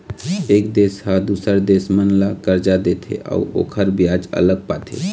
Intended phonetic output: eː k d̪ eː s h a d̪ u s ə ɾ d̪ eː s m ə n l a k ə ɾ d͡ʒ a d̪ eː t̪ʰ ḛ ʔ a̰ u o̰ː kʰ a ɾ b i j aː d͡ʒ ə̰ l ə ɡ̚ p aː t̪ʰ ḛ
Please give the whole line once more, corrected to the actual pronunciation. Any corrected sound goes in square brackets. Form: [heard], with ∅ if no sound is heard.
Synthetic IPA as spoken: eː k d̪ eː s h a d̪ u s ə ɾ d̪ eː s m ə n l a k ə ɾ d͡ʒ a d̪ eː t̪ʰ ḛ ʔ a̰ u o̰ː kʰ [ə] ɾ b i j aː d͡ʒ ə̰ l ə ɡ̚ p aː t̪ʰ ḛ